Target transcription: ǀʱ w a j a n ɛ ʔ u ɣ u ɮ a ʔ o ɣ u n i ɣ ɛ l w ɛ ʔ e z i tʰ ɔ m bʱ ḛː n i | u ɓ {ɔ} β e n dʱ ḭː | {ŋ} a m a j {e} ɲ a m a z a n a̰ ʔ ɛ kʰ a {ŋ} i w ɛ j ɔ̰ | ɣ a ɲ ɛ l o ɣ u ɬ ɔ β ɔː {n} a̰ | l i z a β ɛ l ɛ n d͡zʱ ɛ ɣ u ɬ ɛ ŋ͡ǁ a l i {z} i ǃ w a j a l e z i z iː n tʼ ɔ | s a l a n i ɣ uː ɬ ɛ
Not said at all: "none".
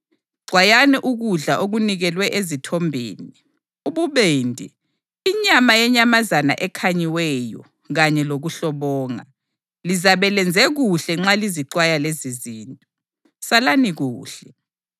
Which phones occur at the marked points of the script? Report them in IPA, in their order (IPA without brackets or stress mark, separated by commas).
u, ɲ, ɛ, ɲ, ŋ, z